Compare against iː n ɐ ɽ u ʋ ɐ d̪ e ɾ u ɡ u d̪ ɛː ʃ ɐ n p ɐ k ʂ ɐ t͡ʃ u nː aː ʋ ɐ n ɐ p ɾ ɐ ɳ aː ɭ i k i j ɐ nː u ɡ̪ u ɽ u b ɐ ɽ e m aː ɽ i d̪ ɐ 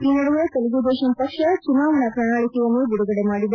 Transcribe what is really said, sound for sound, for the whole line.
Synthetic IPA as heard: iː n ɐ ɽ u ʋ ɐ t̪ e l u ɡ u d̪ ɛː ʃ ɐ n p ɐ k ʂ ɐ t͡ʃ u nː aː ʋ ɐ n ɐ p ɾ ɐ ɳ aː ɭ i k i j ɐ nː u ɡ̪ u ɽ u ɡ ɐ ɽ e m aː ɽ i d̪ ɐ

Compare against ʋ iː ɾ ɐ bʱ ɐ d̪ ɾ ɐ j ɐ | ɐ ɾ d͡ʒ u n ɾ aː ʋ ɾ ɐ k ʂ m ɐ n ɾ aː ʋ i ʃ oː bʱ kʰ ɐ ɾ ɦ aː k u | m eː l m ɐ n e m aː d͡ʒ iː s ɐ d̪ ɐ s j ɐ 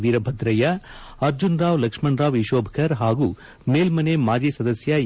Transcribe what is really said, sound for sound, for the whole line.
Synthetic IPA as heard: ʋ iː ɾ ɐ bʱ ɐ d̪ ɾ ɐ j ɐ | ɐ ɾ d͡ʒ u n ɾ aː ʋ l ɐ k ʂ m ɐ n ɾ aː ʋ i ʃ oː bʱ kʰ ɐ ɾ ɦ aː ɡ u | m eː l m ɐ n e m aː d͡ʒ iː s ɐ d̪ ɐ s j ɐ

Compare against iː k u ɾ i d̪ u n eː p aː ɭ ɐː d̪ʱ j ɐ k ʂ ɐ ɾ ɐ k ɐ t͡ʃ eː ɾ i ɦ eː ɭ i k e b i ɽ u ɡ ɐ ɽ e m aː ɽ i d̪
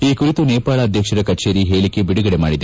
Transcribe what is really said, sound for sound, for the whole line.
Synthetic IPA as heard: iː k u ɾ i t̪ u n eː p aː ɭ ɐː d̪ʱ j ɐ k ʂ ɐ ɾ ɐ k ɐ t͡ʃ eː ɾ i ɦ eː ɭ i k e b i ɽ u ɡ ɐ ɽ e m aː ɽ i d̪

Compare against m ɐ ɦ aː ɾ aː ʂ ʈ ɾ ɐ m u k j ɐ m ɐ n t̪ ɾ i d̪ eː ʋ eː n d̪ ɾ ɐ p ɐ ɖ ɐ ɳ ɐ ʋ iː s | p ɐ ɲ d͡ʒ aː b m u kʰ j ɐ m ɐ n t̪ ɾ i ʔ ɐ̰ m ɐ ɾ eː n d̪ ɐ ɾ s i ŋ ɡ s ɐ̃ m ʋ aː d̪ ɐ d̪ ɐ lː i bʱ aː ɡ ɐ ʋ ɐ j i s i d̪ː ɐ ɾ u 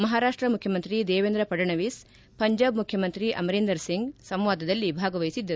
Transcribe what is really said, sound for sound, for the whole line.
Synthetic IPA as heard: m ɐ ɦ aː ɾ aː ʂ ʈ ɾ ɐ m u kʰ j ɐ m ɐ n t̪ ɾ i d̪ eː ʋ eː n d̪ ɾ ɐ p ɐ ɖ ɐ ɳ ɐ ʋ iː s | p ɐ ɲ d͡ʒ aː b m u kʰ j ɐ m ɐ n t̪ ɾ i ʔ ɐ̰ m ɐ ɾ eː n d̪ ɐ ɾ s i ŋ ɡ s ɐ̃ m ʋ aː d̪ ɐ d̪ ɐ lː i bʱ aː ɡ ɐ ʋ ɐ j i s i d̪ː ɐ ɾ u

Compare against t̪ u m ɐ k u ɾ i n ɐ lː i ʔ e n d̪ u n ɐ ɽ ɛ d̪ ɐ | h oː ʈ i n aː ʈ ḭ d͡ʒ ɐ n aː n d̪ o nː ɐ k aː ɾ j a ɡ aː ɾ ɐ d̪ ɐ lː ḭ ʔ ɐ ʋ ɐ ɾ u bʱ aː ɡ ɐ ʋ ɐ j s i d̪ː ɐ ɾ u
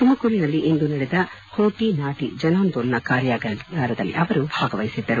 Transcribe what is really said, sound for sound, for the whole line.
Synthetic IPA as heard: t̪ u m ɐ k u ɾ i n ɐ lː i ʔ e n d̪ u n ɐ ɽ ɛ d̪ ɐ | h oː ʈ i n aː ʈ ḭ d͡ʒ ɐ n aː n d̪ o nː ɐ k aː ɾ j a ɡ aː ɾ ɐ d̪ ɐ lː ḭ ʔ ɐ ʋ ɐ ɾ u bʱ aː ɡ ɐ ʋ ɐ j s i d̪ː ɐ ɾ u

